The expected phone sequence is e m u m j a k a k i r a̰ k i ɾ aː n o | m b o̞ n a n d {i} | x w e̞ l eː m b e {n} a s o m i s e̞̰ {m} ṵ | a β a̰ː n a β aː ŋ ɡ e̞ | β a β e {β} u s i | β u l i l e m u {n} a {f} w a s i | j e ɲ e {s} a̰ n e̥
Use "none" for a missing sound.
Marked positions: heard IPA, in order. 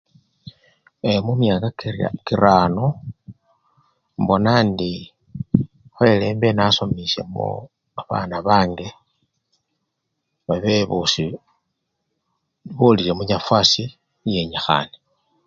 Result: i, n, m, β, ɲ, f, x

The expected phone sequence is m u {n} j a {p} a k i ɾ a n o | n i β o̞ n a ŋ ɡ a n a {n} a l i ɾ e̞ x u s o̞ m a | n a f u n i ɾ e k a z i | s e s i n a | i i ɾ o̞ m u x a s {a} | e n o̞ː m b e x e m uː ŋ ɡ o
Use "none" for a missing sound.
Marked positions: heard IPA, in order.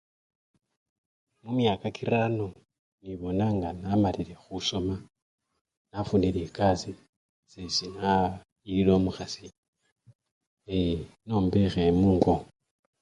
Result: m, k, m, i

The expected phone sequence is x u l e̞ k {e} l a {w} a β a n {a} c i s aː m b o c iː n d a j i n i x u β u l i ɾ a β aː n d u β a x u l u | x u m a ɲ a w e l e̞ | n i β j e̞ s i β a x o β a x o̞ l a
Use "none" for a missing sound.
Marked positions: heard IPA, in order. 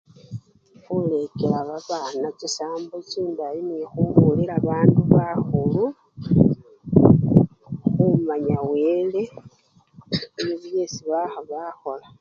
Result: e, β, a

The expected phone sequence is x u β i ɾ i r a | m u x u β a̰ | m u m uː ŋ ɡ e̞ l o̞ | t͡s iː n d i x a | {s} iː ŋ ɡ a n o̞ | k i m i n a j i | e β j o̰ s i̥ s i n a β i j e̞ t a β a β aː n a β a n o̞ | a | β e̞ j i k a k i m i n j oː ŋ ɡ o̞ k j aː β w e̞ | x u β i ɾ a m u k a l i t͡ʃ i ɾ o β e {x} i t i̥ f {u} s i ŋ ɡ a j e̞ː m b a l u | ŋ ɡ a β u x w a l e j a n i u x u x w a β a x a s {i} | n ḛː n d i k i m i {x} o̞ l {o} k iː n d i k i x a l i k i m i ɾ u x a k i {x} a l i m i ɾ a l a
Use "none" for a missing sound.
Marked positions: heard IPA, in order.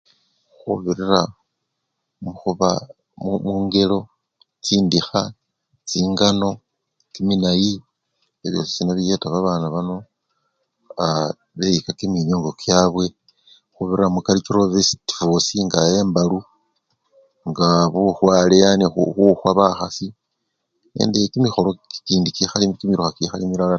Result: t͡s, s, o, i, x, o, x

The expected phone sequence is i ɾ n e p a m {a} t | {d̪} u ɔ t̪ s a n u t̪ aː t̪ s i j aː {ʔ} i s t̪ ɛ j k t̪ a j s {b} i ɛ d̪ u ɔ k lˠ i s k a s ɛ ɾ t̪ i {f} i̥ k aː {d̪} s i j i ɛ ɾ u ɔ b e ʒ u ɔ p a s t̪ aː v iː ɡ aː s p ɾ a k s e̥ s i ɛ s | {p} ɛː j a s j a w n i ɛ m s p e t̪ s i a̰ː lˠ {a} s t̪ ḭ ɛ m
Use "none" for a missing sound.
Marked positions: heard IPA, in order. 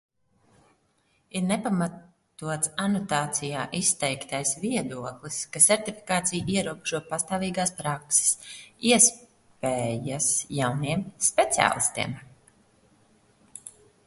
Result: a, t̪, ʔ, v, f, t̪, p, i

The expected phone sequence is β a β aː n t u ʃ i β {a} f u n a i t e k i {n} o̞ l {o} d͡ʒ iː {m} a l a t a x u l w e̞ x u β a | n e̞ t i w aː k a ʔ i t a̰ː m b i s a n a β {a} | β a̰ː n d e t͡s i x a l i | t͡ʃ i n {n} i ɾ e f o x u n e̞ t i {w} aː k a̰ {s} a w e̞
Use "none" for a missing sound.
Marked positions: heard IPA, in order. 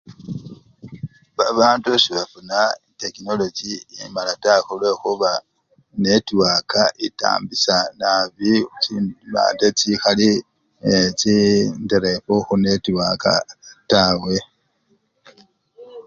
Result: a, n, o, m, i, d, w, t

